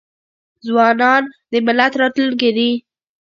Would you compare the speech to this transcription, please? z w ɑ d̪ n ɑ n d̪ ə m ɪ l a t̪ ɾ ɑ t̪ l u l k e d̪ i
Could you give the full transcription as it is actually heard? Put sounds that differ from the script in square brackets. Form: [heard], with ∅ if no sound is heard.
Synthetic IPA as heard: z w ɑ [∅] n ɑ n d̪ ə m ɪ l a t̪ ɾ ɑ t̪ l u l k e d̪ i